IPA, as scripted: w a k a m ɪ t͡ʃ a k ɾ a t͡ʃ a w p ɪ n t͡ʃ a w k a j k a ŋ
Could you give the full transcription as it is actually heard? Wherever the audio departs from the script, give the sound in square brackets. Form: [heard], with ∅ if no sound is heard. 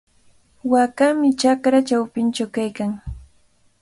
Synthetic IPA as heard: w a k a m ɪ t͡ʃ a k ɾ a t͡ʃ a w p ɪ n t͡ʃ a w k a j k a ŋ